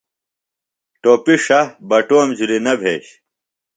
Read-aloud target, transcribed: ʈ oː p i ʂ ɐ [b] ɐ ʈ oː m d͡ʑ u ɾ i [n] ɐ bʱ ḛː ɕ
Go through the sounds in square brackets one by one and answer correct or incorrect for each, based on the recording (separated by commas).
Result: correct, correct